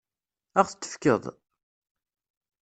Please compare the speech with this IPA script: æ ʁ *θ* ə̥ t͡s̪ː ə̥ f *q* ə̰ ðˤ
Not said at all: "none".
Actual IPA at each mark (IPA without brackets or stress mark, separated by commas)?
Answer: θ, k